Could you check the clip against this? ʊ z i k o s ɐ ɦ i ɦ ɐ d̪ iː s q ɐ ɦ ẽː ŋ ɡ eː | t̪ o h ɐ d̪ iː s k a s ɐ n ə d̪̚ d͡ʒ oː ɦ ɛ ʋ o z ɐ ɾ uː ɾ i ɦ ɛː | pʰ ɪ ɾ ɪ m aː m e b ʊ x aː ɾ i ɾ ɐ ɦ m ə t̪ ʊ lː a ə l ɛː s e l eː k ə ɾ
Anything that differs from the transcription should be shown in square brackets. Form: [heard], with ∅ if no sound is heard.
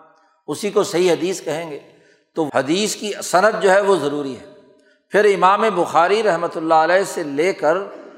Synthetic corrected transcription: ʊ [s] i k o s ɐ ɦ i ɦ ɐ d̪ iː s [k] ɐ ɦ ẽː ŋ ɡ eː | t̪ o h ɐ d̪ iː s k [i] s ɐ n ə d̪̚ d͡ʒ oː ɦ ɛ ʋ o z ɐ ɾ uː ɾ i ɦ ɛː | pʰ ɪ ɾ ɪ m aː m e b ʊ x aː ɾ i ɾ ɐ ɦ m ə t̪ ʊ lː a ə l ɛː s e l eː k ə ɾ